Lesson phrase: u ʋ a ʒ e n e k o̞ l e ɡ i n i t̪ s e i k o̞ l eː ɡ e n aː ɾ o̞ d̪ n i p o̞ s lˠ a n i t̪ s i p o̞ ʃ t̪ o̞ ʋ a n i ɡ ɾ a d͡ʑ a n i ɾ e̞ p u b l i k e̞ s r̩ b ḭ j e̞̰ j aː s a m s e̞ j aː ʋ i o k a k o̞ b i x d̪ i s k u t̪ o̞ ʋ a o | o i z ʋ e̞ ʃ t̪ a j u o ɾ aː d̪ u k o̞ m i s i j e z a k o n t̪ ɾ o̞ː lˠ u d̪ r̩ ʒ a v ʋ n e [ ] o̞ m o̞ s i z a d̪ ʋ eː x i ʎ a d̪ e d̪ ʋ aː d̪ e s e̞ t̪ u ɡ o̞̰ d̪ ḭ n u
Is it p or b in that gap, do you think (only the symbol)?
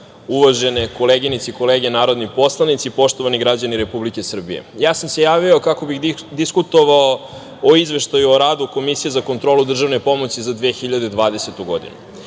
p